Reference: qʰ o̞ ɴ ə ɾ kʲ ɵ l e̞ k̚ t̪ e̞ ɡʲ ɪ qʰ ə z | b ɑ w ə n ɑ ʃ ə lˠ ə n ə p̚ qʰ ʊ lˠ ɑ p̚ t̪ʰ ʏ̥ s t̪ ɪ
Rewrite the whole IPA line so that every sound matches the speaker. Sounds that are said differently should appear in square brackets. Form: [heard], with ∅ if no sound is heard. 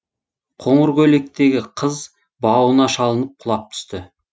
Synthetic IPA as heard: qʰ o̞ ɴ ə ɾ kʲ ɵ l e̞ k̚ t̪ e̞ ɡʲ ɪ qʰ ə z | b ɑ w ə n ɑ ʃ [ɑ] lˠ ə n ə p̚ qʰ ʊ lˠ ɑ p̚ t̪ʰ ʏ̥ s t̪ ɪ